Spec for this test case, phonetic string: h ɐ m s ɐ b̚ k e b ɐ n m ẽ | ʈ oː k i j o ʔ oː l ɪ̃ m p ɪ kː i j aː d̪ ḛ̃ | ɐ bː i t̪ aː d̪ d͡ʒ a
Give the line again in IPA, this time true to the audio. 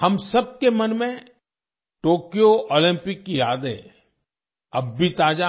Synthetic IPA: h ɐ m s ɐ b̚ k e m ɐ n m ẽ | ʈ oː k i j o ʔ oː l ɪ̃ m p ɪ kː i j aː d̪ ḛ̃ | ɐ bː i t̪ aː d͡ʒ a